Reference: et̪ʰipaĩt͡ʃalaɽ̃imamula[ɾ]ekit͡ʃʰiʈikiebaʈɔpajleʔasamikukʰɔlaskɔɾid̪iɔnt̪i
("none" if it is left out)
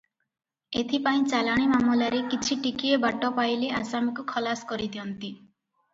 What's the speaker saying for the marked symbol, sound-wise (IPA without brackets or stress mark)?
ɾ